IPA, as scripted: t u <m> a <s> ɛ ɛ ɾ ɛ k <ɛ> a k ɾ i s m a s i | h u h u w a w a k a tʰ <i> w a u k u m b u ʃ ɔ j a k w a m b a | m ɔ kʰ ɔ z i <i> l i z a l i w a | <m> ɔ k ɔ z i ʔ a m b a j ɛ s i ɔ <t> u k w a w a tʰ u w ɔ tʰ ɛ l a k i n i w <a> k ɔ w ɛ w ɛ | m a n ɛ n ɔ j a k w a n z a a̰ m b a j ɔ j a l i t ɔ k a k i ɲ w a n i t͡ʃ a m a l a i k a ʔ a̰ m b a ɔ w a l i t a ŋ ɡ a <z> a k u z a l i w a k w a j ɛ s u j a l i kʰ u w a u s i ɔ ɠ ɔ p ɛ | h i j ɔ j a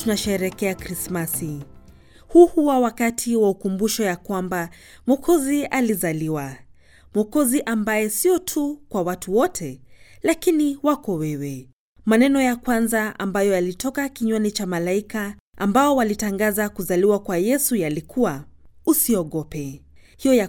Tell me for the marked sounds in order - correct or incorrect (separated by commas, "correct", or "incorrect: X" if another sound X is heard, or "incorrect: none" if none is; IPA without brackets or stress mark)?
incorrect: n, incorrect: ʃ, correct, correct, incorrect: a, correct, incorrect: tʰ, correct, correct